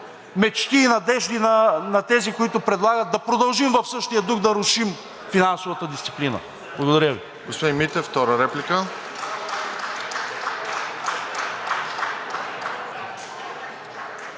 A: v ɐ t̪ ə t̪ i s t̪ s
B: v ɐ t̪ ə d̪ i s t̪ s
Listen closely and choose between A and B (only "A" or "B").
B